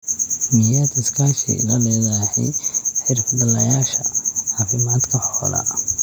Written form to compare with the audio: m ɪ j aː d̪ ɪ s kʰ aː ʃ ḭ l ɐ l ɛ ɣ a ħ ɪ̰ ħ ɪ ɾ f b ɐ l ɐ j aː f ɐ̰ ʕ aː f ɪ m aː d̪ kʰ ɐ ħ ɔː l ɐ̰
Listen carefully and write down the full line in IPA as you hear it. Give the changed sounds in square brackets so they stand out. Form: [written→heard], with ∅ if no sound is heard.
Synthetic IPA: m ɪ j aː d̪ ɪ s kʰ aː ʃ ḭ l ɐ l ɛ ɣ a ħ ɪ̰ ħ ɪ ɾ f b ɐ l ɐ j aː [f→ʃ] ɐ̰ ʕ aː f ɪ m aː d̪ kʰ ɐ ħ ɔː l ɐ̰